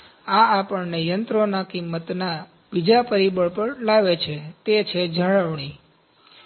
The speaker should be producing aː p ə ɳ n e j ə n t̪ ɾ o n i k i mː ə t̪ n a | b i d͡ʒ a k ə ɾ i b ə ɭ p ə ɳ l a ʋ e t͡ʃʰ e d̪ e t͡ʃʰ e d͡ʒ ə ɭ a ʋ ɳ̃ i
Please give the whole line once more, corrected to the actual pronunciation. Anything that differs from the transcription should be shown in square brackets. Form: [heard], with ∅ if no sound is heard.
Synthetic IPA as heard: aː p ə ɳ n e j ə n t̪ ɾ o n [a] k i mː ə t̪ n a | b i d͡ʒ a [p] ə ɾ i b ə ɭ p ə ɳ l a ʋ e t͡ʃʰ e [t̪] e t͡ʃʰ e d͡ʒ ə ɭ [ə] ʋ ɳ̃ i